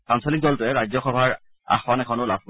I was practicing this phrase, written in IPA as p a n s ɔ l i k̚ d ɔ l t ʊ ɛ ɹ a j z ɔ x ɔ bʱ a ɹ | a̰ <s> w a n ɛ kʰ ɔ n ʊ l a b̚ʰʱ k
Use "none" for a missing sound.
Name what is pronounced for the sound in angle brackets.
x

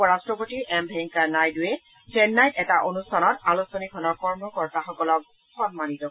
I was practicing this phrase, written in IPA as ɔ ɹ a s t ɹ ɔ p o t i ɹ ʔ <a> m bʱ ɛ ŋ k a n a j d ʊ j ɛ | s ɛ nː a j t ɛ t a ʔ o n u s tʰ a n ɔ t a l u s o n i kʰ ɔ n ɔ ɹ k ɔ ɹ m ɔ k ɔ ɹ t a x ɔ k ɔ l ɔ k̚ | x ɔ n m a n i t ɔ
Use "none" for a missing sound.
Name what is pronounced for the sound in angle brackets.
ɛ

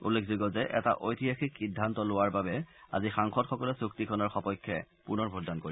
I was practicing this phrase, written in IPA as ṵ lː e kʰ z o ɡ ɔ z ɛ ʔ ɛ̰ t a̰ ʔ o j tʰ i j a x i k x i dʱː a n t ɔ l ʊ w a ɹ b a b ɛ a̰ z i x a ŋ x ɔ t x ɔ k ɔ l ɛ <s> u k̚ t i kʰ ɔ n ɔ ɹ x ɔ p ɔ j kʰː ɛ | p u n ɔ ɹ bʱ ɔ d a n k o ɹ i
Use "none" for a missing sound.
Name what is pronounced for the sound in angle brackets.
s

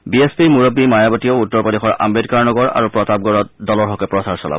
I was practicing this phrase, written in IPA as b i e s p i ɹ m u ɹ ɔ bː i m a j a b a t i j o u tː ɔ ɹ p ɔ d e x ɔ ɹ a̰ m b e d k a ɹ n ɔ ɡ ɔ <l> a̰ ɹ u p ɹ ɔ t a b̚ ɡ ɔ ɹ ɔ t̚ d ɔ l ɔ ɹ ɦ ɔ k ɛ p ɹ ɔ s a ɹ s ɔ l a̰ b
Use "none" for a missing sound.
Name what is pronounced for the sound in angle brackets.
ɹ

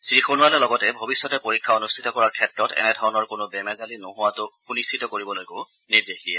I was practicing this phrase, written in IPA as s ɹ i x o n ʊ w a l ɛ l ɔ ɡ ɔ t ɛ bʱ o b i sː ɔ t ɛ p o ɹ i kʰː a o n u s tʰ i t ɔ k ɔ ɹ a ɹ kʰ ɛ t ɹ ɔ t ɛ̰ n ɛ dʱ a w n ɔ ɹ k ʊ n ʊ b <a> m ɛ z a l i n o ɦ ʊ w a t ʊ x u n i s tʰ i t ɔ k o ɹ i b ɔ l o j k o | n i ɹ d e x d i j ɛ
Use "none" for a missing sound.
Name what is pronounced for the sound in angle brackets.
ɛ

